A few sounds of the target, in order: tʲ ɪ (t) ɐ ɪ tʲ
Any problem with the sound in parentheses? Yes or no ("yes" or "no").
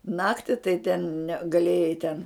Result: no